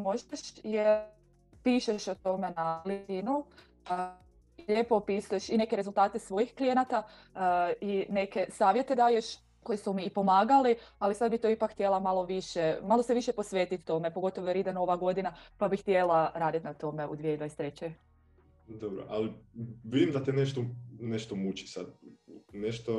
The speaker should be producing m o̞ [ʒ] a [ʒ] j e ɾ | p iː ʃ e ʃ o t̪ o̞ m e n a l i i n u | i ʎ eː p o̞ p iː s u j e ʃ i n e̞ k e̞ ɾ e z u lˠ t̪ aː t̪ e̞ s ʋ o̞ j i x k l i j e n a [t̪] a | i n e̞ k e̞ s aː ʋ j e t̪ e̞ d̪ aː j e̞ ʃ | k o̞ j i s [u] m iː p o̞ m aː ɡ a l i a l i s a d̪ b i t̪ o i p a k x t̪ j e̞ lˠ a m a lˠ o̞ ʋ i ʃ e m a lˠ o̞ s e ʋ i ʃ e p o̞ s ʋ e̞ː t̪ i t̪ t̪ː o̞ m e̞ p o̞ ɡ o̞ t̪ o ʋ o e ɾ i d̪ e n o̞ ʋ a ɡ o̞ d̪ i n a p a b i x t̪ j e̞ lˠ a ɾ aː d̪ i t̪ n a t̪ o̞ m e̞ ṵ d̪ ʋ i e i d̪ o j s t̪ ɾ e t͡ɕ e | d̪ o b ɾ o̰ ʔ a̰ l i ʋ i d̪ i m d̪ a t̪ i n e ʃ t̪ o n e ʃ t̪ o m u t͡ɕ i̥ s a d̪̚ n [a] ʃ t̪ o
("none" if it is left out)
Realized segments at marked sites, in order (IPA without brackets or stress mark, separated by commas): ʒ, ʃ, t̪, u, e